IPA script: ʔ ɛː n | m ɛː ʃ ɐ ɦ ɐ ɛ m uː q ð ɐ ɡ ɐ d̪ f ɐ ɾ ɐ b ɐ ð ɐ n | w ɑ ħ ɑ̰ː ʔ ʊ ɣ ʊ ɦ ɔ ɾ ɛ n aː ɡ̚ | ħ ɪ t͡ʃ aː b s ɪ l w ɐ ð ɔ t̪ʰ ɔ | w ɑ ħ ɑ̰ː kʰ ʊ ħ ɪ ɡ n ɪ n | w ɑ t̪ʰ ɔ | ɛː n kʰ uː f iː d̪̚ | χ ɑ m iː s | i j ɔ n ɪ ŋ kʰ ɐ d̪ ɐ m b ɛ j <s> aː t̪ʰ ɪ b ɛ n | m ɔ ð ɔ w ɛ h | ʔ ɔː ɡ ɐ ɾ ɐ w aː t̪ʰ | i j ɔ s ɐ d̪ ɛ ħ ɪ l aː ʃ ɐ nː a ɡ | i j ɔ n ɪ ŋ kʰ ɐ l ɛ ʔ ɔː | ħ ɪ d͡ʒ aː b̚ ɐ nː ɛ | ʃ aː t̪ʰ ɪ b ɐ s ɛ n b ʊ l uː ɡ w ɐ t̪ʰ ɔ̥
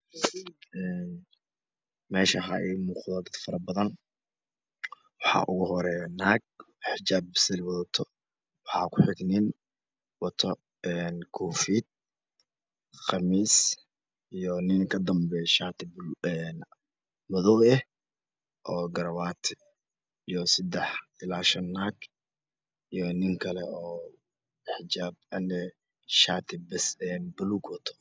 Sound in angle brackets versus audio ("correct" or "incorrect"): incorrect